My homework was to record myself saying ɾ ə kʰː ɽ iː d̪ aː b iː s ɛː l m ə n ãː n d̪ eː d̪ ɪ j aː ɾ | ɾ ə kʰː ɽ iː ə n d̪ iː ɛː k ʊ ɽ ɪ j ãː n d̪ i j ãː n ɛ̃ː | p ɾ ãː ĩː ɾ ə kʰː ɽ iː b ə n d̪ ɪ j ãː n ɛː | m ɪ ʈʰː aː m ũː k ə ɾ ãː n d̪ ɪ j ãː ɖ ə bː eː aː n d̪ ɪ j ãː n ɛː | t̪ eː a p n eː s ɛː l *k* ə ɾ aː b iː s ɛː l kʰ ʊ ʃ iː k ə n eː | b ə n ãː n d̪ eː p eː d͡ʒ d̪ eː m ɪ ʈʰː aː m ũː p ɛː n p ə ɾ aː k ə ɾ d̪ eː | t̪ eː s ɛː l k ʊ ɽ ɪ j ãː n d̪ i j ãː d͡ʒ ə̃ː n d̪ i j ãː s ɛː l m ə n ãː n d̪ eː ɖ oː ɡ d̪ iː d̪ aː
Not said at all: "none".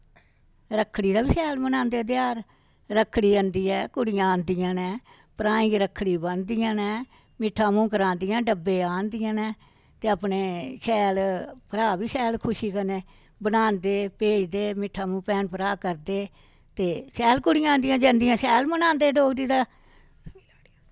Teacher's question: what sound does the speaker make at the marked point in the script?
p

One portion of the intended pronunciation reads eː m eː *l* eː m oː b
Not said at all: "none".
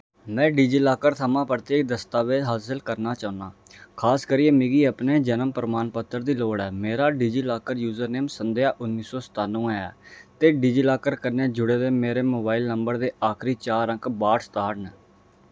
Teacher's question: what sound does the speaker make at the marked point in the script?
ɾ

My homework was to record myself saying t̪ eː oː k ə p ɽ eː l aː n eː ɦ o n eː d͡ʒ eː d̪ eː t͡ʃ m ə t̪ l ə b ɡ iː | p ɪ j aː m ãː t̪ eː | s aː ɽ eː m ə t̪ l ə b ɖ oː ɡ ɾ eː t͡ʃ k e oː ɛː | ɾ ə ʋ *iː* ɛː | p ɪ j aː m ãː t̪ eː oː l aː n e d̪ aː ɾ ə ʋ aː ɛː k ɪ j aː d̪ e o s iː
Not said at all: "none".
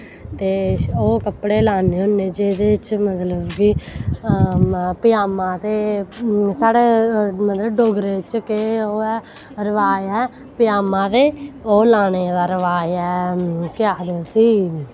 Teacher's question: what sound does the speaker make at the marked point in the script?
aː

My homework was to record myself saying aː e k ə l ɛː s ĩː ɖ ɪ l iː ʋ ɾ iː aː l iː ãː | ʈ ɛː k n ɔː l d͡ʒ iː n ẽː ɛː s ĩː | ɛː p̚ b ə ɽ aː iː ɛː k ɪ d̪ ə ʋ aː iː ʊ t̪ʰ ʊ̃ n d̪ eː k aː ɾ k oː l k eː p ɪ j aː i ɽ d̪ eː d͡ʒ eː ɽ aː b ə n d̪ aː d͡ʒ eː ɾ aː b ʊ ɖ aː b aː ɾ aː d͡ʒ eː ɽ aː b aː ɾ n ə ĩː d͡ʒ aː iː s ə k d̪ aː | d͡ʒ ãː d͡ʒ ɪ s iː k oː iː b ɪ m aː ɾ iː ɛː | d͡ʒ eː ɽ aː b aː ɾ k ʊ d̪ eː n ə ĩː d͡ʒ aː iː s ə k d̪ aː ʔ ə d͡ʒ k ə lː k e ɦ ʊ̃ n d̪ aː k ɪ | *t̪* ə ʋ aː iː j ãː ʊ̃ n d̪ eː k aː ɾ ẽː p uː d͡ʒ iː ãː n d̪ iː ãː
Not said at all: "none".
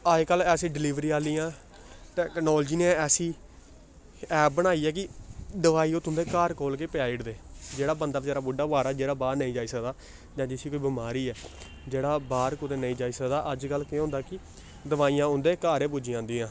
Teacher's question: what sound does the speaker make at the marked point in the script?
d̪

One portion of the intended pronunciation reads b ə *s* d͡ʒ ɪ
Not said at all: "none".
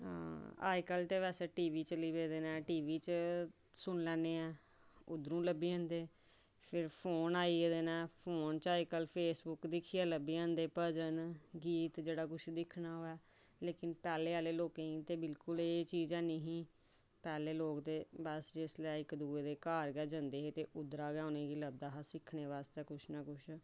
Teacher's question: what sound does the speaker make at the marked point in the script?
s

